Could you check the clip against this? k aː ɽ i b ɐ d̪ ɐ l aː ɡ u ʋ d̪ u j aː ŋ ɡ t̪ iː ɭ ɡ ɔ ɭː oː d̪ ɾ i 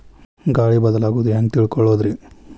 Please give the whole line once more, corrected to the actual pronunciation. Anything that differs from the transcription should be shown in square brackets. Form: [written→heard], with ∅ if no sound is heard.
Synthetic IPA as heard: [k→ɡ] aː ɽ i b ɐ d̪ ɐ l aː ɡ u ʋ d̪ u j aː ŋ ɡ t̪ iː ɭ [ɡ→k] ɔ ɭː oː d̪ ɾ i